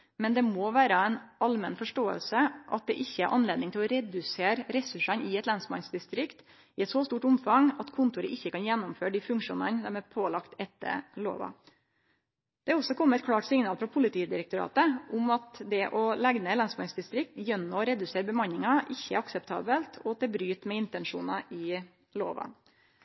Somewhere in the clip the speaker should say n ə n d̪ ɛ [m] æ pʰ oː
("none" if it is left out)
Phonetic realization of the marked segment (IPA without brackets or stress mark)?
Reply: m